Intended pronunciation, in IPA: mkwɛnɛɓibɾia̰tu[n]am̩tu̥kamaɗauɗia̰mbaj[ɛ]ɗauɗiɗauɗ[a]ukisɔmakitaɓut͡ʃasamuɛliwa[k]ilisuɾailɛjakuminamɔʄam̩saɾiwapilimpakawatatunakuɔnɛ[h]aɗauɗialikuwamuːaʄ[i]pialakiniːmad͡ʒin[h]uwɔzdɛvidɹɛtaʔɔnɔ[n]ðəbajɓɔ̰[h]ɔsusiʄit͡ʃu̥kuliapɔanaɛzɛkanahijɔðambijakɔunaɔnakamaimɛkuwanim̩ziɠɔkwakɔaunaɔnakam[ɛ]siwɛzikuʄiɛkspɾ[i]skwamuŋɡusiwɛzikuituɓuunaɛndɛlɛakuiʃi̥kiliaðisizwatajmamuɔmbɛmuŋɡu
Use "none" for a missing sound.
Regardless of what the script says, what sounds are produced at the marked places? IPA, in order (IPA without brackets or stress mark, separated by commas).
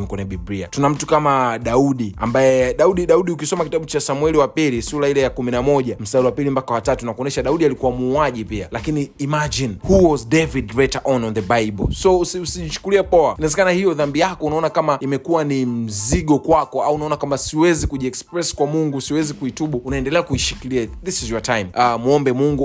n, ɛ, i, p, ʃ, i, h, n, s, a, ɛ